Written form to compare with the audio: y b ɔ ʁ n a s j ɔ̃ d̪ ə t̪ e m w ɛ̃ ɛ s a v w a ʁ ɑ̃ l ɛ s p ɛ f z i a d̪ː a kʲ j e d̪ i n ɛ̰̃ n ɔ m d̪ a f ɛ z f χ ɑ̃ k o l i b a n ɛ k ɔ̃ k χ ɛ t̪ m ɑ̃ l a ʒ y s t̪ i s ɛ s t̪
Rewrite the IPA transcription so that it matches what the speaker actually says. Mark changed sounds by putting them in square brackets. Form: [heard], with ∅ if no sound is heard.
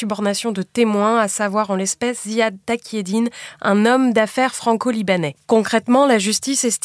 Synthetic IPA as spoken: y b ɔ ʁ n a s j ɔ̃ d̪ ə t̪ e m w ɛ̃ [a] s a v w a ʁ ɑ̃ l ɛ s p ɛ [s] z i a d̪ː a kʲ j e d̪ i n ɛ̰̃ n ɔ m d̪ a f ɛ [ʁ] f χ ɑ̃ k o l i b a n ɛ k ɔ̃ k χ ɛ t̪ m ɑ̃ l a ʒ y s t̪ i s ɛ s t̪